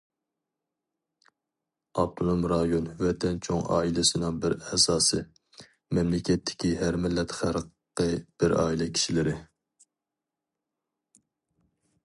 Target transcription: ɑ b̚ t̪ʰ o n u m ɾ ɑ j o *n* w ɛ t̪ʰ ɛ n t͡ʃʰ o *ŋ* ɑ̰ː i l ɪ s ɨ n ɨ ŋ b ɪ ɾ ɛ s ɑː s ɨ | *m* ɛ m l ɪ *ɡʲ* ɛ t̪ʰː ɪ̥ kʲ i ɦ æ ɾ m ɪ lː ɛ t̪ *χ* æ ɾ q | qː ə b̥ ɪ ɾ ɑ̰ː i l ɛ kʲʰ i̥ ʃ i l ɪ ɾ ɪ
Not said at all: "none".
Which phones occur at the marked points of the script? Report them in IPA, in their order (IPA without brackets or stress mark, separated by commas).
n, ŋ, m, kʲ, χ